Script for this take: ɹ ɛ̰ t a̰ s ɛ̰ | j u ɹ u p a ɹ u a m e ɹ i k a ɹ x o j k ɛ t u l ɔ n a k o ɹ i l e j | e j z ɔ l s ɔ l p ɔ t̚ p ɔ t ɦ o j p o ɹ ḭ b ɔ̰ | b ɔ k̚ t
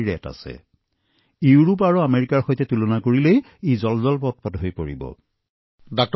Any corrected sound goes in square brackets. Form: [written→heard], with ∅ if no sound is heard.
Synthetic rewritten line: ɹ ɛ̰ t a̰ s ɛ̰ | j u ɹ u p a ɹ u a m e ɹ i k a ɹ x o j [k→t] ɛ t u l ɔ n a k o ɹ i l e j | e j z ɔ l [s→z] ɔ l p ɔ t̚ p ɔ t ɦ o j p o ɹ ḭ b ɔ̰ | [b→d] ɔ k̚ t